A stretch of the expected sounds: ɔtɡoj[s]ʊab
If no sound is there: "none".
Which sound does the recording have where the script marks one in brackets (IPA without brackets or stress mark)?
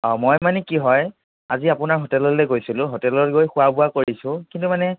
x